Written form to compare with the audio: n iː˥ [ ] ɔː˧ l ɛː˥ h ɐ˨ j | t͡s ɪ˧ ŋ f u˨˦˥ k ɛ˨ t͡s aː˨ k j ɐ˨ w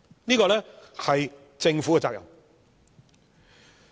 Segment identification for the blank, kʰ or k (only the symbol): k